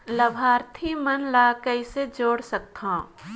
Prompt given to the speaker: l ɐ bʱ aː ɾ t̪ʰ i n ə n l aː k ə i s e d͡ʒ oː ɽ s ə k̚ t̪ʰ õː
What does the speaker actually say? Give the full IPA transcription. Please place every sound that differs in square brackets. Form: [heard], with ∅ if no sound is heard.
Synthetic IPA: l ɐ bʱ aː ɾ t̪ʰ i [m] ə n l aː k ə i s e d͡ʒ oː ɽ s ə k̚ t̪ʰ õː